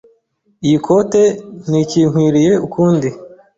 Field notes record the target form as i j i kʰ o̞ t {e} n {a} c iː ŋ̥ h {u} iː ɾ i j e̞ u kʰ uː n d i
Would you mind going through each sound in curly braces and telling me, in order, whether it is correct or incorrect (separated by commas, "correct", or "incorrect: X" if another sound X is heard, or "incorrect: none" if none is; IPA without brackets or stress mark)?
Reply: correct, incorrect: i, incorrect: w